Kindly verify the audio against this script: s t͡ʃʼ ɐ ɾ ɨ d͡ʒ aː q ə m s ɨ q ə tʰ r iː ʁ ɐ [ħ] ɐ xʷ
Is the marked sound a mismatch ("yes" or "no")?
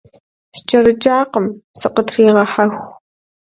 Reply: no